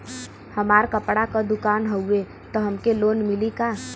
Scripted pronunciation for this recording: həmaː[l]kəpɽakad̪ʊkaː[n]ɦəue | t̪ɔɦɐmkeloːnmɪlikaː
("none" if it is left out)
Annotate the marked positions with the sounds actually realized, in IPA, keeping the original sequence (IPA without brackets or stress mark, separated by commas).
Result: ɾ, n